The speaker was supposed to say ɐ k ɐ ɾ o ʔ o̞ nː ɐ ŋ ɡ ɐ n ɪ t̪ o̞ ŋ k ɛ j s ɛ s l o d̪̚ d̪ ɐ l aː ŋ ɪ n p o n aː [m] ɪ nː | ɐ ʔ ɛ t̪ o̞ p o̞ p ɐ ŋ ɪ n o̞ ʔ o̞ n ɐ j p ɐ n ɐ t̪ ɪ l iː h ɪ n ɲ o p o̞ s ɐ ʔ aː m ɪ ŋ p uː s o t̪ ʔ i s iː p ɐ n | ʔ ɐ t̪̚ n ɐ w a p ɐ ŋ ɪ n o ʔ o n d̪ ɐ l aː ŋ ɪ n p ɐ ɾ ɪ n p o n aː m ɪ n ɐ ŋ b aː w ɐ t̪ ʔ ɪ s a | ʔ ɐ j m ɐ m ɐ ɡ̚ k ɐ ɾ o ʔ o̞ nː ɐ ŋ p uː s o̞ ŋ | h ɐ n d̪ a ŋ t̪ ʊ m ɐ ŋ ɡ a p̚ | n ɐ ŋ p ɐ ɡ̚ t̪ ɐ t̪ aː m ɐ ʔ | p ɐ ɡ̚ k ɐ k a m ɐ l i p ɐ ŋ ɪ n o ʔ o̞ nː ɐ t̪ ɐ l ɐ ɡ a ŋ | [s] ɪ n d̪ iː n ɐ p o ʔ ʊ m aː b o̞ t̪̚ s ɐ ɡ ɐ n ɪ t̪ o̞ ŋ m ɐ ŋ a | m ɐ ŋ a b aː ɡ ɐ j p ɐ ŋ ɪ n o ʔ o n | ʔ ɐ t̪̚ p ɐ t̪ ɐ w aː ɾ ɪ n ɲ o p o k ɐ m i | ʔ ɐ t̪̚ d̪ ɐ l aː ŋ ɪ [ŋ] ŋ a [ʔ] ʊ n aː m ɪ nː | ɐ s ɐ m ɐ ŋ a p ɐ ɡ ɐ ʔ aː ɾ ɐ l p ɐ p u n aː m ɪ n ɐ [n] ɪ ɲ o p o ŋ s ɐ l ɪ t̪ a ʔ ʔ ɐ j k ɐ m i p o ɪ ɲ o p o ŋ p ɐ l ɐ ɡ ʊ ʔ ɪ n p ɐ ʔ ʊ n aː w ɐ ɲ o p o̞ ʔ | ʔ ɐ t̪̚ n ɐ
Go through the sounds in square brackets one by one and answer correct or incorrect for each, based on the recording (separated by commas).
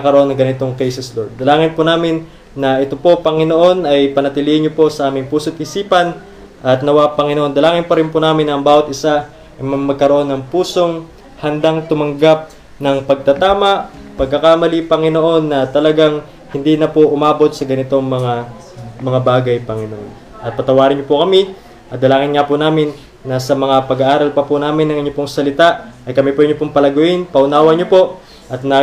correct, incorrect, incorrect, incorrect, incorrect